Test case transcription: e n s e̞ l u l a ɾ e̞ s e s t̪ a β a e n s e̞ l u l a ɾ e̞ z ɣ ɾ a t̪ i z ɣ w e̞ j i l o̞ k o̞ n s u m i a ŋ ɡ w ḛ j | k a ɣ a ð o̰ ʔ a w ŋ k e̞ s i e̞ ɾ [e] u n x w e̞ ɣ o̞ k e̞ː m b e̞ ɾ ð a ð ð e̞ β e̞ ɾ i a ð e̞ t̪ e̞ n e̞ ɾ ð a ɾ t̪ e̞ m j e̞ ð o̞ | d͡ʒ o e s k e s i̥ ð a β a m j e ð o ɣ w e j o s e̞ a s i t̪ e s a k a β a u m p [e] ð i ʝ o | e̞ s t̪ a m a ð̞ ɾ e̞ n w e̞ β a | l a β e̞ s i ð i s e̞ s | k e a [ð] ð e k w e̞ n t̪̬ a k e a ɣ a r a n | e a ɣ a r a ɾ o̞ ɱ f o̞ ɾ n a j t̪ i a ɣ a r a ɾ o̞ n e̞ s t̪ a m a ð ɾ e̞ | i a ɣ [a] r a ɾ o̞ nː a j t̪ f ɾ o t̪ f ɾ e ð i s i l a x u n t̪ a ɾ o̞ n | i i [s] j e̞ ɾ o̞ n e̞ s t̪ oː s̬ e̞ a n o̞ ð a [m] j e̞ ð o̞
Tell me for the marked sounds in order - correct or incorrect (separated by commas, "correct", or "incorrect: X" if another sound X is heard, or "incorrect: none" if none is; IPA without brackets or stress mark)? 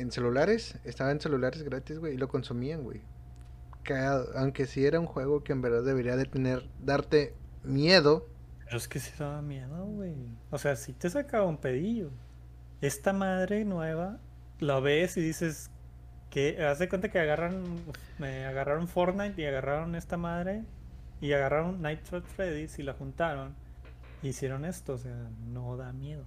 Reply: incorrect: a, correct, incorrect: z, correct, correct, correct